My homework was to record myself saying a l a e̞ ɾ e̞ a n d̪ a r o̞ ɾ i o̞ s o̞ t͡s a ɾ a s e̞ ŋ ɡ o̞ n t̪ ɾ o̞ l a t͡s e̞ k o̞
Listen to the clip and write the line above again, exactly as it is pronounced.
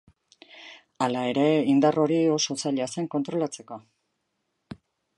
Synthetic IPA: a l a e̞ ɾ e̞ i n d̪ a r o̞ ɾ i o̞ s o̞ t͡s a ʎ a s e̞ ŋ k o̞ n t̪ ɾ o̞ l a t͡s e̞ k o̞